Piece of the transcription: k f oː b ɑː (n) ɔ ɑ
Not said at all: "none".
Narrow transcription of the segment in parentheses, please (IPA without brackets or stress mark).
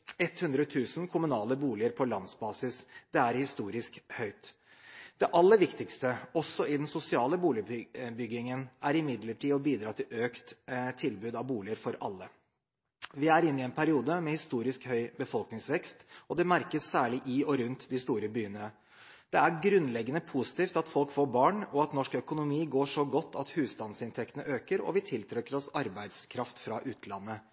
ɳ